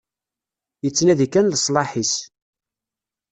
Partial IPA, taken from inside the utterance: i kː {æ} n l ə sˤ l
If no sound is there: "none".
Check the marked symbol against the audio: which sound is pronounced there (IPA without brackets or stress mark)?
æ